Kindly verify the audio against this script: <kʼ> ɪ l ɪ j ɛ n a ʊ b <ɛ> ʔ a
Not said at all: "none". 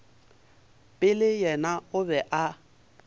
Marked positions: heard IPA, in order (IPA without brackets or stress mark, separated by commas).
pʼ, ɛ